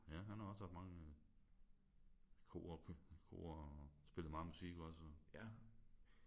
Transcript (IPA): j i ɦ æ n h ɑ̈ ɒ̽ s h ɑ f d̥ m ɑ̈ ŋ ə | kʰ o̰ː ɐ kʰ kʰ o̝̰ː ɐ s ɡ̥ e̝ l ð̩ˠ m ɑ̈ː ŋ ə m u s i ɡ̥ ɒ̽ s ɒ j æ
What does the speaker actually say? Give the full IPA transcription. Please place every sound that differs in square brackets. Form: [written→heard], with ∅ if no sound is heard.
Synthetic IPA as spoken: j [i→æ] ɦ æ n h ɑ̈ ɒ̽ s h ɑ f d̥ m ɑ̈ ŋ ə | kʰ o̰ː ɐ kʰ kʰ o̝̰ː ɐ s [ɡ̥→b̥] e̝ l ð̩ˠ m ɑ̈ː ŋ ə m u s i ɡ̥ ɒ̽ s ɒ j æ